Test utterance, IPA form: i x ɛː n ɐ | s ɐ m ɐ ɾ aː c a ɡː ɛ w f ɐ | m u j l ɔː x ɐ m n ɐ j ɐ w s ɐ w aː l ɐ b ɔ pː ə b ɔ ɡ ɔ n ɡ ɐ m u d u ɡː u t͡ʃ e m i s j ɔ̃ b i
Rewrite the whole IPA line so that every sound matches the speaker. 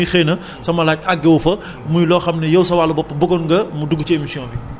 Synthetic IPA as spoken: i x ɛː n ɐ | s ɐ m ɐ l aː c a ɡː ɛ w f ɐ | m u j l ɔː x ɐ m n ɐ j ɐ w s ɐ w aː l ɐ b ɔ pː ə b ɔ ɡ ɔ n ɡ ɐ m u d u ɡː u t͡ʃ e m i s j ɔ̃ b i